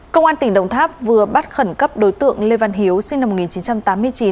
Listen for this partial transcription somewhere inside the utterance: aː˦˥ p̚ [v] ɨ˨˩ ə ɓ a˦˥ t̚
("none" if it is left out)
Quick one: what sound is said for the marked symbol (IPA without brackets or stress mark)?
v